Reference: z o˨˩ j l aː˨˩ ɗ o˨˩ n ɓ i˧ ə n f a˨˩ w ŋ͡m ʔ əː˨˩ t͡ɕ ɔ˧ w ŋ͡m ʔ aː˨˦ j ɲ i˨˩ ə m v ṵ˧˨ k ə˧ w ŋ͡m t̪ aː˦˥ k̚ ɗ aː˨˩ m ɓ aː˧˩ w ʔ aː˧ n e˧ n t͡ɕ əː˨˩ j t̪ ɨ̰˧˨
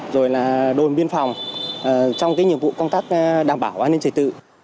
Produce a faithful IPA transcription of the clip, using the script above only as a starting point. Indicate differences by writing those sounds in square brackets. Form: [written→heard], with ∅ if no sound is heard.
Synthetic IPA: z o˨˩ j l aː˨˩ ɗ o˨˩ n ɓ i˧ ə n f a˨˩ w ŋ͡m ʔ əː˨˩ t͡ɕ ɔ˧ w ŋ͡m [ʔ→k] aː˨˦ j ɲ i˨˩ ə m v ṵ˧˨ k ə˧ w ŋ͡m t̪ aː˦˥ k̚ ɗ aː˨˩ m ɓ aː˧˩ w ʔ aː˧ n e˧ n t͡ɕ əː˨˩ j t̪ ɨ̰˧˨